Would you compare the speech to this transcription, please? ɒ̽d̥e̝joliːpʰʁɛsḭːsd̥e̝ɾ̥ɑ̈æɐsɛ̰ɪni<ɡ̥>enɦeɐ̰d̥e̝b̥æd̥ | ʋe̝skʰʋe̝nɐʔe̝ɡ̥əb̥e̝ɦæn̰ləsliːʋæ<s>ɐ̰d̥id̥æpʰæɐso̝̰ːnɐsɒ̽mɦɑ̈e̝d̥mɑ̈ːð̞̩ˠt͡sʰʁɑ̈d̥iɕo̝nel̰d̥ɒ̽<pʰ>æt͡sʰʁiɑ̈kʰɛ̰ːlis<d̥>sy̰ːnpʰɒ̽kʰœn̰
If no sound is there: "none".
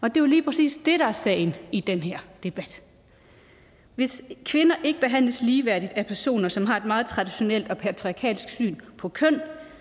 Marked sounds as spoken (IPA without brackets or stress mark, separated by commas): d̥, none, pʰ, ɡ̥